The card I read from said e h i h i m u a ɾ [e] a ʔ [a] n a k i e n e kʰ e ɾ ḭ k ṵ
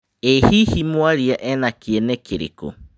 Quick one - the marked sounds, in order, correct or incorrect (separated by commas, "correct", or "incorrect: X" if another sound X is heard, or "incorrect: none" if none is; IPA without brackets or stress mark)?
incorrect: i, incorrect: e